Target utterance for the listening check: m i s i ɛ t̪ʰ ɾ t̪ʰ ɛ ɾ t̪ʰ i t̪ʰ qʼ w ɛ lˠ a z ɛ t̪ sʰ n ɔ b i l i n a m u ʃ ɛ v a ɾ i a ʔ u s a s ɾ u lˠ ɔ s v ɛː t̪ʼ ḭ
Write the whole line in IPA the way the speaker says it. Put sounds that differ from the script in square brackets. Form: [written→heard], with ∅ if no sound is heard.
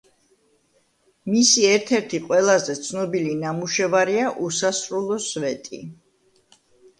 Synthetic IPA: m i s i ɛ [t̪ʰ→∅] ɾ t̪ʰ ɛ ɾ t̪ʰ i [t̪ʰ→∅] qʼ w ɛ lˠ a z ɛ t̪ sʰ n ɔ b i l i n a m u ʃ ɛ v a ɾ i a ʔ u s a s ɾ u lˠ ɔ s v [ɛː→ɛ] t̪ʼ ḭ